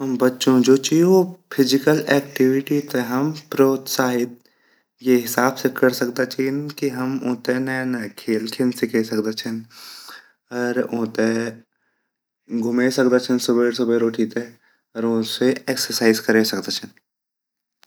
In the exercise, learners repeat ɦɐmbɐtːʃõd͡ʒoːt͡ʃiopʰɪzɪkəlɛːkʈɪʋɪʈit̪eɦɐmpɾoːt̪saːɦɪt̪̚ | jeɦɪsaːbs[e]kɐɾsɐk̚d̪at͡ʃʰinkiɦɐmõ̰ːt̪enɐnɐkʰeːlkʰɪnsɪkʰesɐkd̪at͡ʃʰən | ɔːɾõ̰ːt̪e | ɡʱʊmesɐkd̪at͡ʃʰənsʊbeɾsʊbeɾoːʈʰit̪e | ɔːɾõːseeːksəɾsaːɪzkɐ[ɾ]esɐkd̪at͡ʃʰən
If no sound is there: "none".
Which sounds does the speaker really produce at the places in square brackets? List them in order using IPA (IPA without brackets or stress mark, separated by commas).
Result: e, ɾ